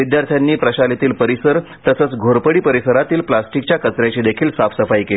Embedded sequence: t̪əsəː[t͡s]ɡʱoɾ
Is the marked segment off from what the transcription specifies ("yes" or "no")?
no